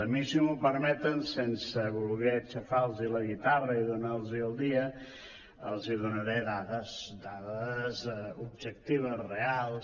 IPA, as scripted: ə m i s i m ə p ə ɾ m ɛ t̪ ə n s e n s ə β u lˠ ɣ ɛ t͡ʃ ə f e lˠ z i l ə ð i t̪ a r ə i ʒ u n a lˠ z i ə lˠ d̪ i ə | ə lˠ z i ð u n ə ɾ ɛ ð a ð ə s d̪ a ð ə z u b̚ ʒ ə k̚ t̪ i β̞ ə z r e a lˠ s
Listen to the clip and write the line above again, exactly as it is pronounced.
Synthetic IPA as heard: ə m i s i m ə p ə ɾ m ɛ t̪ ə n s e n s ə β u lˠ ɣ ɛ t͡ʃ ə f a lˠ z i l ə ɣ i t̪ a r ə i ð u n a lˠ z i ə lˠ d̪ i ə | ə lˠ z i ð u n ə ɾ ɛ ð a ð ə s d̪ a ð ə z u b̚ ʒ ə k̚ t̪ i β̞ ə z r e a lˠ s